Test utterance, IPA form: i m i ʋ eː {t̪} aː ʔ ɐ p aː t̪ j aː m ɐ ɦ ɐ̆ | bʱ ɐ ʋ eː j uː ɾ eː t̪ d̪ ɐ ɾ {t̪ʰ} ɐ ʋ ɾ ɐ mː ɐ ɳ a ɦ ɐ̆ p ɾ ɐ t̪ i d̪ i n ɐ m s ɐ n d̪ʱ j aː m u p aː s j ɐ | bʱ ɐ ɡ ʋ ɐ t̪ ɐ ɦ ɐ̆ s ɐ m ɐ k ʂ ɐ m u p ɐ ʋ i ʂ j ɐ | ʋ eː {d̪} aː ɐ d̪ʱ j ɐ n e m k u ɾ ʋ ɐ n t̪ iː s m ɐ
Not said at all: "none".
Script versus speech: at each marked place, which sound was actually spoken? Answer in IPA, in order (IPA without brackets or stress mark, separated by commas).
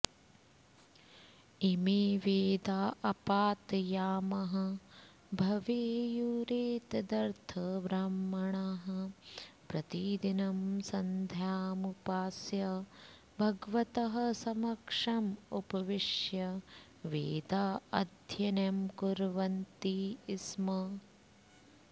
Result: d̪, t̪ʰ, d̪